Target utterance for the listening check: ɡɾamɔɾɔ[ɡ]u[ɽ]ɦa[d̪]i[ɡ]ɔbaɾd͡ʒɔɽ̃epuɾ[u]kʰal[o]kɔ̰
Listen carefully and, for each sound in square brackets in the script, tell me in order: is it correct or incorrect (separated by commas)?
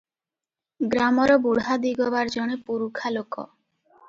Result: incorrect, correct, correct, correct, correct, correct